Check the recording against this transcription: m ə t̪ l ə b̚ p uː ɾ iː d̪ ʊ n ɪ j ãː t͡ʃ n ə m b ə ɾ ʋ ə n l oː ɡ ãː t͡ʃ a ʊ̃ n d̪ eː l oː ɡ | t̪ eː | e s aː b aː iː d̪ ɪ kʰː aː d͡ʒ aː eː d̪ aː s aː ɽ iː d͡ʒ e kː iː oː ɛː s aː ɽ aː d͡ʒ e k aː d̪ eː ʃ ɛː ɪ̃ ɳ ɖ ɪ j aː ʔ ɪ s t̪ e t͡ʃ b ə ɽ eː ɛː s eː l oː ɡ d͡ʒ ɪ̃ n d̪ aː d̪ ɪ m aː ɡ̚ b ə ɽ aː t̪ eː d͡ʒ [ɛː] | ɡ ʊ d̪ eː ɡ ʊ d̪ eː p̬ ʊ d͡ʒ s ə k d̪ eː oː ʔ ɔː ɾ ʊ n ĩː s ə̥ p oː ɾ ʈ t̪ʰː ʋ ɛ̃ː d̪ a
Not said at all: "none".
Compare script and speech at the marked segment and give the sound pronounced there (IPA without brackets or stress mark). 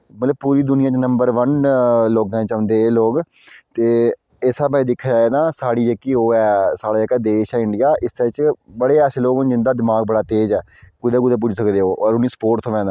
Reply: ɛː